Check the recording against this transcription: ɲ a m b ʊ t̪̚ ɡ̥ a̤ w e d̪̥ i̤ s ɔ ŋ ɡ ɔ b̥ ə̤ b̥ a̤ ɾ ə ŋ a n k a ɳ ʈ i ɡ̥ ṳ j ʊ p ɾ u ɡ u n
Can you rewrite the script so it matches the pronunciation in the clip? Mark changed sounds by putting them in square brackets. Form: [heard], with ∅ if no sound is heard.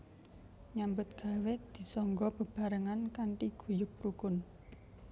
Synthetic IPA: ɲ a m b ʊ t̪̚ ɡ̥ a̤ w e d̪̥ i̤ s ɔ ŋ ɡ ɔ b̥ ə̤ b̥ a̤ ɾ ə ŋ a n k a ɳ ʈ i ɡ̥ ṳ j ʊ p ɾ u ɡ [ʊ] n

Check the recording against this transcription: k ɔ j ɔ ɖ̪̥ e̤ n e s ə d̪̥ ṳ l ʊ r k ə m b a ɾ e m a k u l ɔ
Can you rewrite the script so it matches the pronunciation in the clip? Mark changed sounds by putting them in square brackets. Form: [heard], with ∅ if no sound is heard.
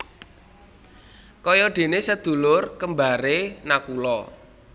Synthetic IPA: k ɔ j ɔ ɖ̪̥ e̤ n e s ə d̪̥ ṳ l ʊ r k ə m b a ɾ e [n] a k u l ɔ

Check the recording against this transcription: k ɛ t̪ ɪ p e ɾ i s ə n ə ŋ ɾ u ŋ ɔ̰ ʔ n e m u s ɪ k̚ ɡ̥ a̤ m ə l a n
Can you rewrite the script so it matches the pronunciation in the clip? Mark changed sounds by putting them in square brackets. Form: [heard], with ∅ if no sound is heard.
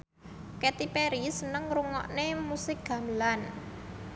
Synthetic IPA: k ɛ t̪ [i] p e ɾ i s ə n ə ŋ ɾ u ŋ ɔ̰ ʔ n e m u s ɪ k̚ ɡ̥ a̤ m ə l a n

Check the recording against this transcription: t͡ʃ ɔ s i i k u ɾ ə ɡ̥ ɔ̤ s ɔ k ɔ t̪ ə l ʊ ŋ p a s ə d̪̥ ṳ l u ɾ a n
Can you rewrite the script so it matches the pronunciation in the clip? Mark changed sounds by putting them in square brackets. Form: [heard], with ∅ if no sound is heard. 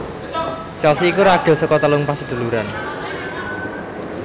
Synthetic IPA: t͡ʃ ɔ s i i k u ɾ [a] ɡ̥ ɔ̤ s ɔ k ɔ t̪ ə l ʊ ŋ p a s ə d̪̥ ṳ l u ɾ a n

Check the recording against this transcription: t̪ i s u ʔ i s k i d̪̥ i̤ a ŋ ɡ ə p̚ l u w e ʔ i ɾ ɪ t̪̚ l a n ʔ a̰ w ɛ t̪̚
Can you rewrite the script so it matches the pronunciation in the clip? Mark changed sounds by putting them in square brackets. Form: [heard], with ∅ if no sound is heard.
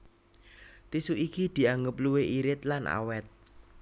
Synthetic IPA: t̪ i s u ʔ i [∅] k i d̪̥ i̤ a ŋ ɡ ə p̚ l u w e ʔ i ɾ ɪ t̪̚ l a n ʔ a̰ w ɛ t̪̚

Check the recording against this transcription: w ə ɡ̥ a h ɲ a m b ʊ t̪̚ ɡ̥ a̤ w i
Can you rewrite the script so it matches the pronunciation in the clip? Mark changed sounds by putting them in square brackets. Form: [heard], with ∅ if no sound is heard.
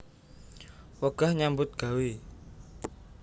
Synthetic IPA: w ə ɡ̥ a h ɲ a m b ʊ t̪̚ ɡ̥ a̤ w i

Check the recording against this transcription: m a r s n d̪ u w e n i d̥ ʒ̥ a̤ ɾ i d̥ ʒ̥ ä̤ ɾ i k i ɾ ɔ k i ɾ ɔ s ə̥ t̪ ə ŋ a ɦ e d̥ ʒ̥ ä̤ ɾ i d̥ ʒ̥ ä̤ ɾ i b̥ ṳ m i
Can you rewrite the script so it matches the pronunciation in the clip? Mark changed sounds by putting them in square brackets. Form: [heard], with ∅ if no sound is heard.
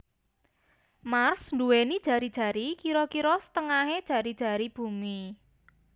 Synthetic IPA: m a r s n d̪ u w e n i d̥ ʒ̥ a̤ ɾ i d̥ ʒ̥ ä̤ ɾ i k i ɾ ɔ k i ɾ ɔ s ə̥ t̪ ə ŋ a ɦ e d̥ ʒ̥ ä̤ ɾ i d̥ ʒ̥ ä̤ ɾ i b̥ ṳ m i

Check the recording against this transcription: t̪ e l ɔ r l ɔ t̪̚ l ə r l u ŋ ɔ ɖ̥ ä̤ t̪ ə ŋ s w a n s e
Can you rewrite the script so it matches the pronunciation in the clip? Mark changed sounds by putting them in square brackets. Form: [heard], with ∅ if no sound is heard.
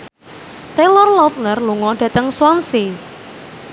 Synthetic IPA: t̪ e l ɔ r l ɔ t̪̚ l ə r l u ŋ ɔ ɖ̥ ä̤ t̪ ə ŋ s w a n s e

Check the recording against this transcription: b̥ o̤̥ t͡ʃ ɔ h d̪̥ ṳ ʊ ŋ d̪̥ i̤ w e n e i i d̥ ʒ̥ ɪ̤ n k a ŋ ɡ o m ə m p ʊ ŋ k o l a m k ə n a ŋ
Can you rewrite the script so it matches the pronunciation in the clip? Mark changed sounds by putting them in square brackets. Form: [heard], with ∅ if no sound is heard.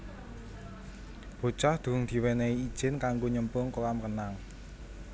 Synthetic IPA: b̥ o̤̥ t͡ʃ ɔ h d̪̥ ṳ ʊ ŋ d̪̥ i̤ w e n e i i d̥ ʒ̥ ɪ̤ n k a ŋ ɡ o [ɲ] ə m p ʊ ŋ k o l a m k ə n a ŋ

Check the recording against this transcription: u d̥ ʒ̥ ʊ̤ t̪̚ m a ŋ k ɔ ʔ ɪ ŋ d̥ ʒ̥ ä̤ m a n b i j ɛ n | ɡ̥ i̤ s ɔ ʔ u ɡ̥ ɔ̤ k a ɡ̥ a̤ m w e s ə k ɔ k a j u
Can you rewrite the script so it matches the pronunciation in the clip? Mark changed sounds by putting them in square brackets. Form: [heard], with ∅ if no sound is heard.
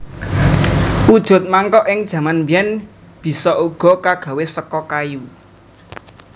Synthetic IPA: u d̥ ʒ̥ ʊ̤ t̪̚ m a ŋ k ɔ ʔ ɪ ŋ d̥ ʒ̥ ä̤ m a n b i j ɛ n | [b̥] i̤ s ɔ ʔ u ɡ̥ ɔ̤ k a ɡ̥ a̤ [∅] w e s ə k ɔ k a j u

